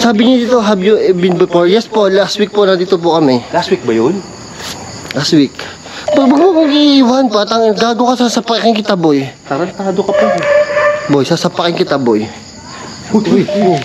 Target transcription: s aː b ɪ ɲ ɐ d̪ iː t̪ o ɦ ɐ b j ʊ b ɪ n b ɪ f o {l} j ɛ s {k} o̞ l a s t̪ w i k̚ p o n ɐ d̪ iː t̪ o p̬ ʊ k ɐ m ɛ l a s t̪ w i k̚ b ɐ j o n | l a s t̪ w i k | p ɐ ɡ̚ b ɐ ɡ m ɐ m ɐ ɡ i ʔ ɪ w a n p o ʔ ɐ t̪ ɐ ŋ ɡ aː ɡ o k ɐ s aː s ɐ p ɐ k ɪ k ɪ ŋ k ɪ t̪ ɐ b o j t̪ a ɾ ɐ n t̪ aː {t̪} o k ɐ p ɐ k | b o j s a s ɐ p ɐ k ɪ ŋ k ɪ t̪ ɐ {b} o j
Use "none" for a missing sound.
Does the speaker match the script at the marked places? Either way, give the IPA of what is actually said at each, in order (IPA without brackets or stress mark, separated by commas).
ɹ, p, d̪, b